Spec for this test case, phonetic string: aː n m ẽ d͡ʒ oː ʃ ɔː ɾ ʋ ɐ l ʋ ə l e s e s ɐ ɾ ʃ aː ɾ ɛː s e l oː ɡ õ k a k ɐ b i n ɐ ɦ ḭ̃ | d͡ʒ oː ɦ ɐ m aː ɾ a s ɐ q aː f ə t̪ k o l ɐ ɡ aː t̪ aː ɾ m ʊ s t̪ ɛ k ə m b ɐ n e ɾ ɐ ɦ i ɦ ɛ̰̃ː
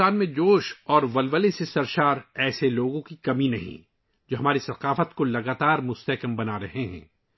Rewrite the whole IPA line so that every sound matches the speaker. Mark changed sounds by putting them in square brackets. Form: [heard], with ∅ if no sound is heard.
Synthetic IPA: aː n m ẽ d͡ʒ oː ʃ ɔː ɾ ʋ ɐ l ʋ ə l e s e s ɐ ɾ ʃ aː ɾ ɛː s e l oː ɡ õ k [i] k ɐ [m] i n ɐ ɦ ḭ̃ | d͡ʒ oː ɦ ɐ m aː ɾ [i] s ɐ q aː f ə t̪ k o l ɐ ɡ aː t̪ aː ɾ m ʊ s t̪ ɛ k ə m b ɐ n [a] ɾ ɐ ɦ [e] ɦ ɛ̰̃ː